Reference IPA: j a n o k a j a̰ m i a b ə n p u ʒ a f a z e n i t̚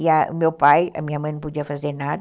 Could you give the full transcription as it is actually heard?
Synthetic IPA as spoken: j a m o p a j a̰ m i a m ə n p u d͡ʒ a f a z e n a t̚